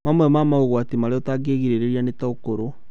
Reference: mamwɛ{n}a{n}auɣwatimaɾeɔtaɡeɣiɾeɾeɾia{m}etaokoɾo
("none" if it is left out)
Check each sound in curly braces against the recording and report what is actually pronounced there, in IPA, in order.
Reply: m, m, n

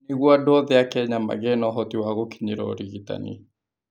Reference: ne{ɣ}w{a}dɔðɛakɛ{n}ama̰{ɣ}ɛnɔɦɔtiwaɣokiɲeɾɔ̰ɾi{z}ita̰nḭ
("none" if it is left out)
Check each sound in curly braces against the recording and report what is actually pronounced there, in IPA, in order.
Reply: ɣ, a, ɲ, ɣ, ɣ

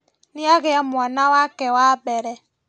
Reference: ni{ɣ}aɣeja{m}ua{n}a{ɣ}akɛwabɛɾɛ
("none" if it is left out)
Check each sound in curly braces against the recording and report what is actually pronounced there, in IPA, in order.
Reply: none, m, n, w

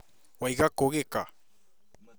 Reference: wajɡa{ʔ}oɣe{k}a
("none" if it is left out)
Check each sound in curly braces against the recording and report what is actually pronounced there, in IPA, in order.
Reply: k, k

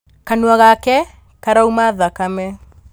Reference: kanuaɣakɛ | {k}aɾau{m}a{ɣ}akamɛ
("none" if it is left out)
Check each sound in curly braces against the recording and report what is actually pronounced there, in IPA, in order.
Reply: k, m, ð

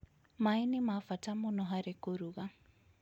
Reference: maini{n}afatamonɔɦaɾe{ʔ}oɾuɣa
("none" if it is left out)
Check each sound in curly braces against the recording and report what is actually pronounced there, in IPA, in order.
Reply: m, k

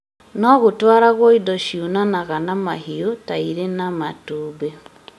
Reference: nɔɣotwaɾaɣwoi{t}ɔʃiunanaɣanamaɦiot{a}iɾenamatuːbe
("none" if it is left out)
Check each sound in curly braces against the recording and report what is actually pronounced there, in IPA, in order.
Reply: d, a

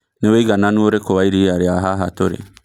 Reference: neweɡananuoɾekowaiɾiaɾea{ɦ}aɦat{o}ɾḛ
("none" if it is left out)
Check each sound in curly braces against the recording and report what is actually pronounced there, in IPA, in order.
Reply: ɦ, o

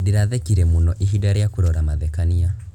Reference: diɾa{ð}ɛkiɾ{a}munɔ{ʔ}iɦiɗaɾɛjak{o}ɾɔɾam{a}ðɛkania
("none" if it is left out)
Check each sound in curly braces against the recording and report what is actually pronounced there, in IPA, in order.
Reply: ð, ɛ, ʔ, u, a

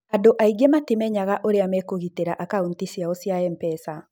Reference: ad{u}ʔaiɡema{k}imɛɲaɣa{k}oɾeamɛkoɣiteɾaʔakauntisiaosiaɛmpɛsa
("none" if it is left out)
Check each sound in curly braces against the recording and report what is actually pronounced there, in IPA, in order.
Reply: o, t, ʔ

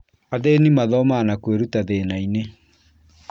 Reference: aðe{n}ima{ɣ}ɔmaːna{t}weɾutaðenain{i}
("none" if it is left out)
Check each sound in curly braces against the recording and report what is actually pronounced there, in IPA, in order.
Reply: n, ð, k, e

